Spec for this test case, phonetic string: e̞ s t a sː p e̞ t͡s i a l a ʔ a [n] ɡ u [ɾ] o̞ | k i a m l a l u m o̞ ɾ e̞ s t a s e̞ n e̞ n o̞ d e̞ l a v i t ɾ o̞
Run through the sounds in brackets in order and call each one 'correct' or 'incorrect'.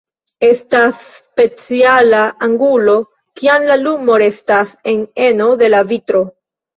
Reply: incorrect: ŋ, incorrect: l

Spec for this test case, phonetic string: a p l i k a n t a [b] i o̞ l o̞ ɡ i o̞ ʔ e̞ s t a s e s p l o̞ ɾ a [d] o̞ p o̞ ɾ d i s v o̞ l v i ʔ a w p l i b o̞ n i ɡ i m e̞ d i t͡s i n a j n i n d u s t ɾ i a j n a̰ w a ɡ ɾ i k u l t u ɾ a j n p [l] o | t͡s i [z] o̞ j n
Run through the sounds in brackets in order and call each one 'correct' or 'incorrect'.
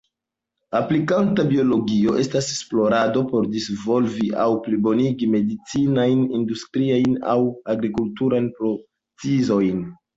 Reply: correct, correct, incorrect: ɾ, correct

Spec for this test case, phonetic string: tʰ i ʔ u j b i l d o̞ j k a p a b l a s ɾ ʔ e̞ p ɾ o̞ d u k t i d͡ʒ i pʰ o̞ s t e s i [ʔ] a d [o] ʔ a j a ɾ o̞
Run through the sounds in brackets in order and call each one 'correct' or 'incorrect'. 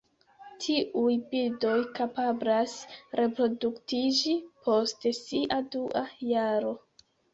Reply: correct, incorrect: u

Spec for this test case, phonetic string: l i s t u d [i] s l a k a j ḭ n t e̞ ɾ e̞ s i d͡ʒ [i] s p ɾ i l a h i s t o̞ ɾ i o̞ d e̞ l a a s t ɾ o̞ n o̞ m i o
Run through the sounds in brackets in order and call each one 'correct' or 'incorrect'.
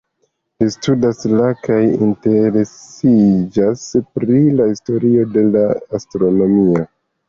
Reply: incorrect: a, incorrect: a

